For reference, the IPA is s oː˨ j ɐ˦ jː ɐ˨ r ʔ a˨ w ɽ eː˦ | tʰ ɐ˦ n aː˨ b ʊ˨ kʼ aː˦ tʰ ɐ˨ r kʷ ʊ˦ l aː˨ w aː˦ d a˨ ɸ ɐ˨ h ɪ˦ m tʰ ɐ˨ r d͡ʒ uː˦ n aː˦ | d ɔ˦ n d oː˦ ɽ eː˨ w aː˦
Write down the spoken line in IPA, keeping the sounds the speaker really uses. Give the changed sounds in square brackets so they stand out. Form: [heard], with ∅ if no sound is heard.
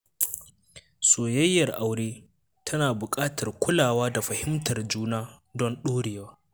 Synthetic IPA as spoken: s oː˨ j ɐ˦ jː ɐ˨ r ʔ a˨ w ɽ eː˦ | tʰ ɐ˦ n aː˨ b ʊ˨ kʼ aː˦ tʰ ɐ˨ r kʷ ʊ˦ l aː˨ w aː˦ d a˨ ɸ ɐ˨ h ɪ˦ m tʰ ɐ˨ r d͡ʒ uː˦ n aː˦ | d ɔ˦ n [ɗ] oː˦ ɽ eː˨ w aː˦

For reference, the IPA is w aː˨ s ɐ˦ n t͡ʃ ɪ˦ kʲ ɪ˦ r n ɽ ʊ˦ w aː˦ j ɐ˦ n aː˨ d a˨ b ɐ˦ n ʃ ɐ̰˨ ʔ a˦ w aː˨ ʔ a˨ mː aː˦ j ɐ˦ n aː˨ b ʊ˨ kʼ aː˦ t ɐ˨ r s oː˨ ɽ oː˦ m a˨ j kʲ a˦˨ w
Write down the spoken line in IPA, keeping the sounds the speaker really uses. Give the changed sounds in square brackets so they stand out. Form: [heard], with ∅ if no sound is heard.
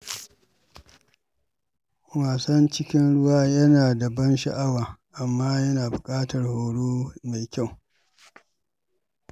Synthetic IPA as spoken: w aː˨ s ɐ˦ n t͡ʃ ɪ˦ kʲ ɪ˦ [∅] n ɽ ʊ˦ w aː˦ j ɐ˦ n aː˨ d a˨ b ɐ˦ n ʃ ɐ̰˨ ʔ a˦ w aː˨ ʔ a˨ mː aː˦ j ɐ˦ n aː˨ b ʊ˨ kʼ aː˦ t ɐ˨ r [h] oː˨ ɽ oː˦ m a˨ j kʲ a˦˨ w

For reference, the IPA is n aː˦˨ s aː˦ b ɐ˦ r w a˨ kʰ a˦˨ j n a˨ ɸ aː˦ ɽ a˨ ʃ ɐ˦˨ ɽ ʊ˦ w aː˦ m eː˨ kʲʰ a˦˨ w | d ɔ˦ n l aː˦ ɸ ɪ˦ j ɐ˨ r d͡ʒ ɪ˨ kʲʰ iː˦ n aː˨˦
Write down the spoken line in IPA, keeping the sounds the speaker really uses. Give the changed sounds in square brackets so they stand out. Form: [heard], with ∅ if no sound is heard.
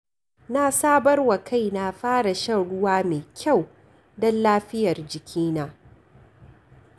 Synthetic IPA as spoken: n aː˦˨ s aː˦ b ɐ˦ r w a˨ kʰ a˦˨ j n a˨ ɸ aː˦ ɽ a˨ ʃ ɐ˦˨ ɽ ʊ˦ w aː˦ m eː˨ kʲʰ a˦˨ w | d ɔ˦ n l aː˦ ɸ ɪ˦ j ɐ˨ r d͡ʒ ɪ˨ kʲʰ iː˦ n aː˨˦

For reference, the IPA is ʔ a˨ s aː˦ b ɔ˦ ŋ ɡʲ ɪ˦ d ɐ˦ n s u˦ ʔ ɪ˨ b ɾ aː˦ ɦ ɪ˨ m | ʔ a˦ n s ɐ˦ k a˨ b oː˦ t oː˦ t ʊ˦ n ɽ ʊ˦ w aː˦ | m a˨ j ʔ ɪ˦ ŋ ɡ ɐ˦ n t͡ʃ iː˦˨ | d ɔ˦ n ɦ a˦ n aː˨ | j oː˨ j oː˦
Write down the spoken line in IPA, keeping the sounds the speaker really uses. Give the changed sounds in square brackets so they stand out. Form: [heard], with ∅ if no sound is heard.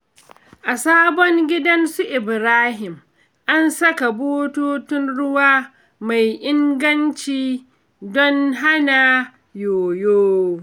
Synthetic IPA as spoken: ʔ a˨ s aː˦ b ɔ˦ ŋ ɡʲ ɪ˦ d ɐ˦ n s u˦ ʔ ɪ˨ b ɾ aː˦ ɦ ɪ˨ m | ʔ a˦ n s ɐ˦ k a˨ b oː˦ t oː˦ t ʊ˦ n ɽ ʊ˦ w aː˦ | m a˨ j ʔ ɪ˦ ŋ ɡ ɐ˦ n t͡ʃ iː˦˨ | d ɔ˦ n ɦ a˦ n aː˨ | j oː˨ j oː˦

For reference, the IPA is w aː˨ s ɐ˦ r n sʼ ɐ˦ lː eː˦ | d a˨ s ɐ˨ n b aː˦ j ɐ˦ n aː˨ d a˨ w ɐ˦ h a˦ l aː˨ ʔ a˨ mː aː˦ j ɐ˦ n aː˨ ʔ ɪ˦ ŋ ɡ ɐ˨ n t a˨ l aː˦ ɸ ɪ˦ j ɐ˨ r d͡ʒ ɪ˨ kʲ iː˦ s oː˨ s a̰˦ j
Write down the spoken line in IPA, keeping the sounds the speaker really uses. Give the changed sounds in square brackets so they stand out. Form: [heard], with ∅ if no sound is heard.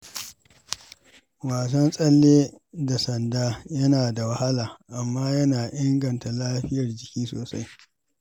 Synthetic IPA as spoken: w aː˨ s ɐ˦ [∅] n sʼ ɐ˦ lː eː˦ | d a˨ s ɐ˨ n [d] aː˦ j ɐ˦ n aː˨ d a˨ w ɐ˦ h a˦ l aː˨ ʔ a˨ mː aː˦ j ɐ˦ n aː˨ ʔ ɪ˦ ŋ ɡ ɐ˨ n t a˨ l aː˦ ɸ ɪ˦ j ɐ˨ r d͡ʒ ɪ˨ kʲ iː˦ s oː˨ s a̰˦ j

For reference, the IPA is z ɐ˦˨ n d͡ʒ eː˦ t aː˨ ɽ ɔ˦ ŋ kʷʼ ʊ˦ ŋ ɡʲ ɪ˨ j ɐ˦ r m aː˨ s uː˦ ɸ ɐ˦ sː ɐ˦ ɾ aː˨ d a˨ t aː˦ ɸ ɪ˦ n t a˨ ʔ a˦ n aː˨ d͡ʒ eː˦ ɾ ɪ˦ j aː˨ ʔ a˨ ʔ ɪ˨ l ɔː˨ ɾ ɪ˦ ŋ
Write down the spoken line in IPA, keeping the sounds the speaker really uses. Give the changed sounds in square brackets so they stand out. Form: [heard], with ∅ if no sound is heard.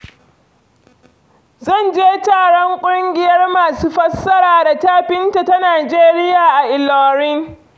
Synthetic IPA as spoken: z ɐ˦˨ n d͡ʒ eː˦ t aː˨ ɽ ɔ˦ ŋ kʷʼ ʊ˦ ŋ ɡʲ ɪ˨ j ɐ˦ r m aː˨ s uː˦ ɸ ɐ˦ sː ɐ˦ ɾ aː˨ d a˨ t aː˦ ɸ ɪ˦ n t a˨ [t] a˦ n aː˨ d͡ʒ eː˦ ɾ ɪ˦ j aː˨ ʔ a˨ ʔ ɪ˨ l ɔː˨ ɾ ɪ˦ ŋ

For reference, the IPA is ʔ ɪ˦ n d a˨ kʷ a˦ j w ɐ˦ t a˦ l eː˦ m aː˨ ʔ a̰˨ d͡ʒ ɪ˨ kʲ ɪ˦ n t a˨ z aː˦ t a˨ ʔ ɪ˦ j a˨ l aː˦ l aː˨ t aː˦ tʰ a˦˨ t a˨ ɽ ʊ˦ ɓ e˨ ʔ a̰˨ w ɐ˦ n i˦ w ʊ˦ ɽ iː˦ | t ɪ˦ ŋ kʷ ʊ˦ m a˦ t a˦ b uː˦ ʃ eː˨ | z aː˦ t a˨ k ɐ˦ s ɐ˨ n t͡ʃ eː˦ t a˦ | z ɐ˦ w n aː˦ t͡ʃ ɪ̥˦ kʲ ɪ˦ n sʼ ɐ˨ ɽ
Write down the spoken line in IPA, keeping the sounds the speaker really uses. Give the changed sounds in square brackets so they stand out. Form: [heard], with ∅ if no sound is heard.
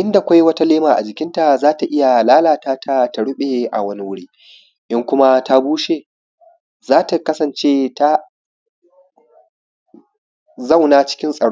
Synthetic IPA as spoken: ʔ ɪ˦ n d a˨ kʷ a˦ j w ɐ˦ t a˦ l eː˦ m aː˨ ʔ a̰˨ d͡ʒ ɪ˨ kʲ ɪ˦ n t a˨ z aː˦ t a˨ ʔ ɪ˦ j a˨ l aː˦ l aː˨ t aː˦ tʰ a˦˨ t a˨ ɽ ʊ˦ ɓ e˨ ʔ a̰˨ w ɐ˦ n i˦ w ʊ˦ ɽ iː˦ | [ʔ] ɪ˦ ŋ kʷ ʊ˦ m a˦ t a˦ b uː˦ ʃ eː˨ | z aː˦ t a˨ k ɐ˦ s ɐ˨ n t͡ʃ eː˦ t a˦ | z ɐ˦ w n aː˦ t͡ʃ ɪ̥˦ kʲ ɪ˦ n sʼ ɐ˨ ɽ

